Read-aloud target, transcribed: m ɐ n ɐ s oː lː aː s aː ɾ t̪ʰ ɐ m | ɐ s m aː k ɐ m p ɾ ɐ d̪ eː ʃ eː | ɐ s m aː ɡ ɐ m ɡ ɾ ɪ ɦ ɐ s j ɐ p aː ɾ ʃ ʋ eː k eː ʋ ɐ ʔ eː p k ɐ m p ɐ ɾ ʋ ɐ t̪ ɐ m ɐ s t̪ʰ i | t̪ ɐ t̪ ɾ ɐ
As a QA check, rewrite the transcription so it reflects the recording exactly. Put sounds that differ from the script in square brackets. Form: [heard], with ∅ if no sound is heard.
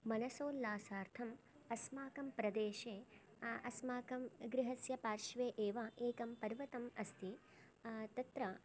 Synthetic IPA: m ɐ n ɐ s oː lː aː s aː ɾ t̪ʰ ɐ m | ɐ s m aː k ɐ m p ɾ ɐ d̪ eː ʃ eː | ɐ s m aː [k] ɐ m ɡ ɾ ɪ ɦ ɐ s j ɐ p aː ɾ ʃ ʋ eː [ʔ] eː ʋ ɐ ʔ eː [∅] k ɐ m p ɐ ɾ ʋ ɐ t̪ ɐ m ɐ s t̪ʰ i | t̪ ɐ t̪ ɾ ɐ